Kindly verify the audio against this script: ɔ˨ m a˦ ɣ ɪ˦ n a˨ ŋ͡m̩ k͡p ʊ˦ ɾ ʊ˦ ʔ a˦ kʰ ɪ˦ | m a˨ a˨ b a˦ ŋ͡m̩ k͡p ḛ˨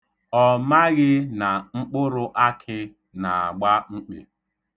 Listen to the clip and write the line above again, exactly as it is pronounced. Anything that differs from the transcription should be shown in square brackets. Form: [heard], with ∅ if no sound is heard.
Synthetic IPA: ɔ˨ m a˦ ɣ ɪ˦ n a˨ ŋ͡m̩ k͡p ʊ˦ ɾ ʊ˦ ʔ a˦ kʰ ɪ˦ | [n] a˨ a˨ [ɡ͡b] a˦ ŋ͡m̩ k͡p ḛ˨